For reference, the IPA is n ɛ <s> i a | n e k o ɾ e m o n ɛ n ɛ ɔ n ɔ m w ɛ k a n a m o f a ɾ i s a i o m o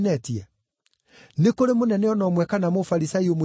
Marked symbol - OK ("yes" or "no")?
no